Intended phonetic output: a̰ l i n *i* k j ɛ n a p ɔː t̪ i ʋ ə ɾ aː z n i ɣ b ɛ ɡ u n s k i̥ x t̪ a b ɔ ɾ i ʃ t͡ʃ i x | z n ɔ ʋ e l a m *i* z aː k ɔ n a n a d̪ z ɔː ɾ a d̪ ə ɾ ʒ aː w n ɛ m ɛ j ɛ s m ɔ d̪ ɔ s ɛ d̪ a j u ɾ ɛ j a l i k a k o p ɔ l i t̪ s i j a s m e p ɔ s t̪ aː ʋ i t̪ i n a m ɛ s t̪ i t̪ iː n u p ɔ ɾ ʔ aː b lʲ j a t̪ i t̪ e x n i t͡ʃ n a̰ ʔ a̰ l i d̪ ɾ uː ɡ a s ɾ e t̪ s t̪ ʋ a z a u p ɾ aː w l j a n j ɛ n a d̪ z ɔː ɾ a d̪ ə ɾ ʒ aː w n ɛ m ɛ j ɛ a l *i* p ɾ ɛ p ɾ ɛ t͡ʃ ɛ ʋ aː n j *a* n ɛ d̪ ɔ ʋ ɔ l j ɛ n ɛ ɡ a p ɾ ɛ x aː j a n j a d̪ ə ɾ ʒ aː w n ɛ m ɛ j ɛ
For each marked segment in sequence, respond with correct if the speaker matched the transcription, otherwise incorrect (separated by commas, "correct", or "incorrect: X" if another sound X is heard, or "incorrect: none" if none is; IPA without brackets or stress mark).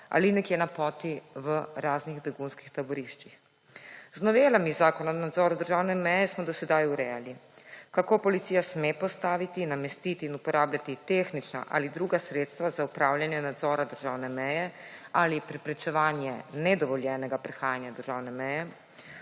incorrect: ɛ, correct, correct, incorrect: ɛ